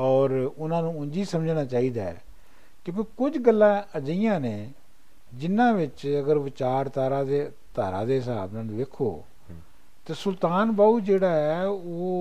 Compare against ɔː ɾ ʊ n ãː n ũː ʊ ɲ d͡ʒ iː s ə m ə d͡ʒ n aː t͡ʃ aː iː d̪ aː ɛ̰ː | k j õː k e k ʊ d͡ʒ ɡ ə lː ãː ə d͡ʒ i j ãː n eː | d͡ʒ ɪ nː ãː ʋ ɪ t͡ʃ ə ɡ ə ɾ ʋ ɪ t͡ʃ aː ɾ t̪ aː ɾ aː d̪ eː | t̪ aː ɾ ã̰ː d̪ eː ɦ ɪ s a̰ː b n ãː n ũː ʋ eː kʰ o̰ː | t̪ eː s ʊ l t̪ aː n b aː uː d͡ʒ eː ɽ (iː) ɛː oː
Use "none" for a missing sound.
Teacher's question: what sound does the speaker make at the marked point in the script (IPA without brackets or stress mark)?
aː